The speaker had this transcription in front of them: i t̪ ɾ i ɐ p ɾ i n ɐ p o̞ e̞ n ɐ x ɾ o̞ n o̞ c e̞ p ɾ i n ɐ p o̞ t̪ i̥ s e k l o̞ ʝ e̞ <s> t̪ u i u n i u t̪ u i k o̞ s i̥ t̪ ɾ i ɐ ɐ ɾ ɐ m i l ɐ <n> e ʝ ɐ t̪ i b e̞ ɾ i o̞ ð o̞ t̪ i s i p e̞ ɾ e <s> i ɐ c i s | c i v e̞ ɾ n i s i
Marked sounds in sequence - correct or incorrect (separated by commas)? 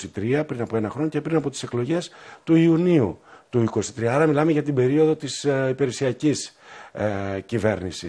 correct, incorrect, correct